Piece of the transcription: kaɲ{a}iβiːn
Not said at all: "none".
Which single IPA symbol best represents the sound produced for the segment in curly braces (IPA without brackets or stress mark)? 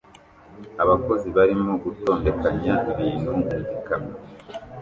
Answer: a